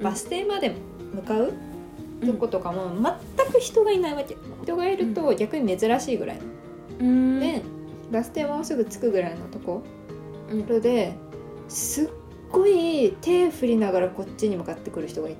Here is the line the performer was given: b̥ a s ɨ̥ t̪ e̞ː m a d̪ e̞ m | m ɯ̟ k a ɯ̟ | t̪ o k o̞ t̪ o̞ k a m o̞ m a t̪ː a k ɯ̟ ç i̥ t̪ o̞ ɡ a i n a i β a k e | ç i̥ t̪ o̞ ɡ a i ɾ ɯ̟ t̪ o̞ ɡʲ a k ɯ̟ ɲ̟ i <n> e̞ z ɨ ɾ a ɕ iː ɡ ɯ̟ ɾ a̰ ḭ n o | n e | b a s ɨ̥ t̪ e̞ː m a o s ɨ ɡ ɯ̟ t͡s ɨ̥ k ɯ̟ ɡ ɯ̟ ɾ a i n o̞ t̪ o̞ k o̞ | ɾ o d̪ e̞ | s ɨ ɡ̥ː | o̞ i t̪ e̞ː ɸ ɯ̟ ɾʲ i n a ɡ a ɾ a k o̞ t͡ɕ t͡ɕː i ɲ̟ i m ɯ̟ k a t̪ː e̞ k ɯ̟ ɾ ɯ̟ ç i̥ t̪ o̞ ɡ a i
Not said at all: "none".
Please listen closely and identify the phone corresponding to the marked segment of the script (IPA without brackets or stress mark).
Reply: m